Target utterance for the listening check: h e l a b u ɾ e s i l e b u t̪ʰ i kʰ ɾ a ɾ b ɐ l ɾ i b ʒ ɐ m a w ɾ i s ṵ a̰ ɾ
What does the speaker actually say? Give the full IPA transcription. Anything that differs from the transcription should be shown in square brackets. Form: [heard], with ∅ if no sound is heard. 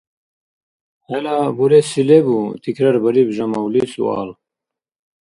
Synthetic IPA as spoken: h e l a b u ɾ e s i l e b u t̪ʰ i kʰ ɾ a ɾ b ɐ [∅] ɾ i b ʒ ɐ m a w [l] i s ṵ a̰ [l]

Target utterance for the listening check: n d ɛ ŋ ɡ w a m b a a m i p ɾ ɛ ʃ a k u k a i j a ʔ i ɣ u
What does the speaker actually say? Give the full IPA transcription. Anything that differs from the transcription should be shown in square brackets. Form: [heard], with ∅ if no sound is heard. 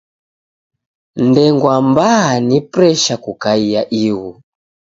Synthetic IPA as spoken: n d ɛ ŋ ɡ w a m b a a [n] i p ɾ ɛ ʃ a k u k a i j a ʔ i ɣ u

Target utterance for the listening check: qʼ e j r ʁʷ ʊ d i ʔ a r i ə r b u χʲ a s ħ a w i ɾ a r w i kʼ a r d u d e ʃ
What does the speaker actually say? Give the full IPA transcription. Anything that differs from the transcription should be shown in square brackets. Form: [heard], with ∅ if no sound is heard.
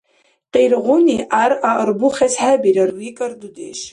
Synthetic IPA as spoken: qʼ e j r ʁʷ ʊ [n] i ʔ a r [a] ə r b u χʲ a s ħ a [b] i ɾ a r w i kʼ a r d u d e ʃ

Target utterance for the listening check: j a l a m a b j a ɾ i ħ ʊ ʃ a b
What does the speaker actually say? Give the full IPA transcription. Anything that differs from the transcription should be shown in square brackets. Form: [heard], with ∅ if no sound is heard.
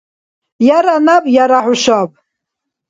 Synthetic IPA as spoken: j a [ɾ] a [n] a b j a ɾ [a] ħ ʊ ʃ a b

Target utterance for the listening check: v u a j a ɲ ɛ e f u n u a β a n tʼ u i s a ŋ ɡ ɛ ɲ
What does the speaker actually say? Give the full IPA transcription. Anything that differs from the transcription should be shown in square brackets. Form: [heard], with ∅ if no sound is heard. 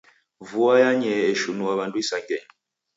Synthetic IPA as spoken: v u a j a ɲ ɛ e [ʃ] u n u a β a n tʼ u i s a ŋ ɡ ɛ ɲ

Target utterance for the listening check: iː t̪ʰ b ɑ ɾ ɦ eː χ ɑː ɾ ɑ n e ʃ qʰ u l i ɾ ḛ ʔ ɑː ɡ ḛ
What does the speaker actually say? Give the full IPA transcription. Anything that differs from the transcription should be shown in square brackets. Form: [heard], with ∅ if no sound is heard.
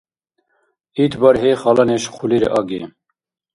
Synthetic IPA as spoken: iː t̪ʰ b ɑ ɾ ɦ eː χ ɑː [l] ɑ n e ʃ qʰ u l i ɾ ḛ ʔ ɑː ɡ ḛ

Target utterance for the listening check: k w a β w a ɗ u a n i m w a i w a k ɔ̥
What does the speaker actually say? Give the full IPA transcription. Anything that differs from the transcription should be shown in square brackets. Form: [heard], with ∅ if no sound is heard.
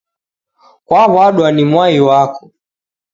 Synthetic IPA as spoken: k w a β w a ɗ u a n i m w a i w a k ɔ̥

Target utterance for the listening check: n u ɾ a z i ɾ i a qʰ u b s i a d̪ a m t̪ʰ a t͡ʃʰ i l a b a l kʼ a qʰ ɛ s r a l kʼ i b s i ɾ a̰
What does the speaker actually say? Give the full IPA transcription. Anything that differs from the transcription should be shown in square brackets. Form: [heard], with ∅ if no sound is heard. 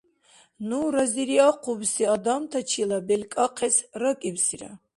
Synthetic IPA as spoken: n u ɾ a z i ɾ i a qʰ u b s i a d̪ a m t̪ʰ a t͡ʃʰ i l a b [ɛ] l kʼ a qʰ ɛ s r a [∅] kʼ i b s i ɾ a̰

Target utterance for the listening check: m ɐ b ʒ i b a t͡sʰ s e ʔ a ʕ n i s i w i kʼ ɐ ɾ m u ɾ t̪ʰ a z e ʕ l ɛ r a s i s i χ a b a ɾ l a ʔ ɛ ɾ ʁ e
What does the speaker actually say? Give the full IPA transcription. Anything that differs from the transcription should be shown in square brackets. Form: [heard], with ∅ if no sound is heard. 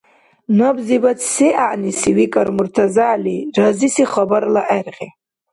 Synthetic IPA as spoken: [n] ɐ b [z] i b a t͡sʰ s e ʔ a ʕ n i s i w i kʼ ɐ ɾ m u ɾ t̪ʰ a z [a] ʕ l [i] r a [z] i s i χ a b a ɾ l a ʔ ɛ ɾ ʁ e

